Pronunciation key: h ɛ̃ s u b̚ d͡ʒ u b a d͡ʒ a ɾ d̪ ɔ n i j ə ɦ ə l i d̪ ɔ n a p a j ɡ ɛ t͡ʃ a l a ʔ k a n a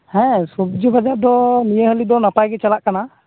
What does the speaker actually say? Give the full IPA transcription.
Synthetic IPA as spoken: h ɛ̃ s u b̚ d͡ʒ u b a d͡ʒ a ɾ d̪ ɔ n i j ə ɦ ə l i d̪ ɔ n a p a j ɡ ɛ t͡ʃ a l a ʔ k a n a